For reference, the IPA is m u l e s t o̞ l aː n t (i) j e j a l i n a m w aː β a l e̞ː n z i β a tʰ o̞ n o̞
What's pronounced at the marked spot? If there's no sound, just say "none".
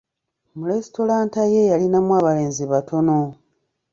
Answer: a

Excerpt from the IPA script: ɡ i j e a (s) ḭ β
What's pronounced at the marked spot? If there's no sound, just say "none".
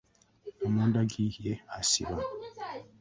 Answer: s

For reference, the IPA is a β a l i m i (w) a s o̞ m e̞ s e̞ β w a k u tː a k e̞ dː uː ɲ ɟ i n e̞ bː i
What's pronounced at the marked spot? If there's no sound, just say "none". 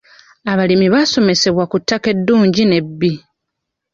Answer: β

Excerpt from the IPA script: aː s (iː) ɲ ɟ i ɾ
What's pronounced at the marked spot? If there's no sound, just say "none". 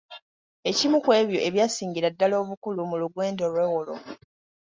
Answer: iː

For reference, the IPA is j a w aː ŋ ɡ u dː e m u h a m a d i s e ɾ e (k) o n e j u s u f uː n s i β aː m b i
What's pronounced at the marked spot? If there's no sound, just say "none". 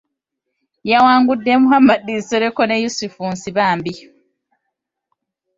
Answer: k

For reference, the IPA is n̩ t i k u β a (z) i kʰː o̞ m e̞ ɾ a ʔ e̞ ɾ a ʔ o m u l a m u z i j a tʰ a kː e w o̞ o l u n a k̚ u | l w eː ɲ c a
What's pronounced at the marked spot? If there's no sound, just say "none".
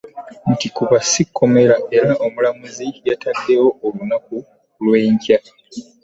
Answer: s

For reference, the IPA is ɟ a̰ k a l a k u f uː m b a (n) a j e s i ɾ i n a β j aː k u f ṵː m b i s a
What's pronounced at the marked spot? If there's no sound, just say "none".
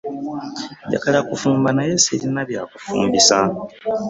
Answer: n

